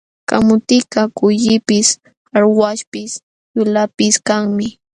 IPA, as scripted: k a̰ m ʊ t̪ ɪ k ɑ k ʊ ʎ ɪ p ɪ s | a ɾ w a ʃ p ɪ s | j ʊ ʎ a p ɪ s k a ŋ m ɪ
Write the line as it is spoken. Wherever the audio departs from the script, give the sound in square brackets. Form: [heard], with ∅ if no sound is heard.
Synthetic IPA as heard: k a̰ m ʊ t̪ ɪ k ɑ k ʊ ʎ ɪ p ɪ s | a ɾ w a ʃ p ɪ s | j ʊ [l] a p ɪ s k a ŋ m ɪ